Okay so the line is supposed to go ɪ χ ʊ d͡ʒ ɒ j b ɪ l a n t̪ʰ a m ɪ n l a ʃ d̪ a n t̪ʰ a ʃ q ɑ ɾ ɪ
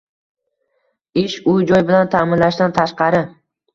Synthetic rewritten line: ɪ ʃ ʊ d͡ʒ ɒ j b ɪ l a n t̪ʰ a m ɪ n l a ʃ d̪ a n t̪ʰ a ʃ q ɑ ɾ ɪ